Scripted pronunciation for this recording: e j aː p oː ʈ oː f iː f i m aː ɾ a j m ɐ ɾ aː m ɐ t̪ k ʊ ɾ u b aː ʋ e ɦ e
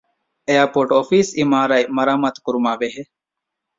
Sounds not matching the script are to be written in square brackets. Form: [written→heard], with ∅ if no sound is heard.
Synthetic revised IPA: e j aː p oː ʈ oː f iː [f→s] i m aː ɾ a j m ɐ ɾ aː m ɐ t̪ k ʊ ɾ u [b→m] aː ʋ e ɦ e